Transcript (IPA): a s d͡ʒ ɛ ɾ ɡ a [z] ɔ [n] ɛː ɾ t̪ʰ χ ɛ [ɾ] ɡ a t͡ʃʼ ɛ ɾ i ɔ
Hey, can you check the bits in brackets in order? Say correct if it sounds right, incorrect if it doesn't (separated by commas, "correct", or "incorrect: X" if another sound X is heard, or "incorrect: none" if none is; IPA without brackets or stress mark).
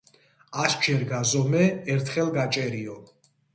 correct, incorrect: m, incorrect: l